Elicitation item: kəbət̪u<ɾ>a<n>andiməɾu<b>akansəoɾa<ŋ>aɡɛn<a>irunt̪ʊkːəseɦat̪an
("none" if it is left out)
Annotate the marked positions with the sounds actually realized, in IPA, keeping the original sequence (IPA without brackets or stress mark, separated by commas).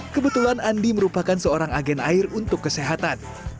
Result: l, n, p, ŋ, a